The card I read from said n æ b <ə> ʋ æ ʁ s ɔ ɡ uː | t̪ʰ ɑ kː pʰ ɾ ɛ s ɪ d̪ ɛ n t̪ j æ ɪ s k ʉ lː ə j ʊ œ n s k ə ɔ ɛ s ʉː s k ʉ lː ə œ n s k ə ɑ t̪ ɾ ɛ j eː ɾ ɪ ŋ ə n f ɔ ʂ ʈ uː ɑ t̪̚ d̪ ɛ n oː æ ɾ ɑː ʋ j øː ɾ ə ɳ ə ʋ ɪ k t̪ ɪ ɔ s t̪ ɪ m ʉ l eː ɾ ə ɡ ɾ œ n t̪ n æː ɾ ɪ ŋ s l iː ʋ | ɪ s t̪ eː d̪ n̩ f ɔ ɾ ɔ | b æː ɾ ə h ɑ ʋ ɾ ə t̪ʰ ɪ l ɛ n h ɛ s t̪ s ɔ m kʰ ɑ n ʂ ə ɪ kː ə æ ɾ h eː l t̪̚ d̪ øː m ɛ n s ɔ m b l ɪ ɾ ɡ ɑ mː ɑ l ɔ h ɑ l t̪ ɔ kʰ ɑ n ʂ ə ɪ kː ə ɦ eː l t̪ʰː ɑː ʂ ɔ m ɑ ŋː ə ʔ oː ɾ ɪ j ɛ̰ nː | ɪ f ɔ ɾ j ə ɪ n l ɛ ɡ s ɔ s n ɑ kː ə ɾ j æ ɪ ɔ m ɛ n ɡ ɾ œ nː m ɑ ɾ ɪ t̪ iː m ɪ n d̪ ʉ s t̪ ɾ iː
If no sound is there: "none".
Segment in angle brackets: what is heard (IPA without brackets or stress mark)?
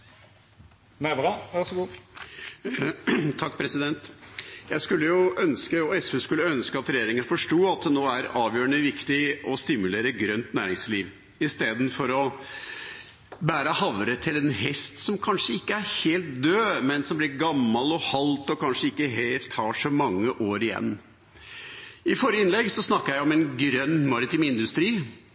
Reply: ɑ